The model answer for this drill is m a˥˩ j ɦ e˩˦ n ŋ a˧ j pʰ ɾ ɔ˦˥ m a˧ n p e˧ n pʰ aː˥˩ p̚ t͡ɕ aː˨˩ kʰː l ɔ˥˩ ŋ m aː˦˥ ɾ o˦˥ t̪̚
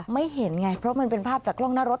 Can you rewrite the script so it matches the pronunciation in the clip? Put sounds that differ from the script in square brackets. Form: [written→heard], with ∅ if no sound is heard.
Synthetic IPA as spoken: m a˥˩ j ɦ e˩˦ n ŋ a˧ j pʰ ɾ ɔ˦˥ m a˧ n p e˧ n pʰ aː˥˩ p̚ t͡ɕ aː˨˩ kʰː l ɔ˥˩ ŋ [m→n] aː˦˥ ɾ o˦˥ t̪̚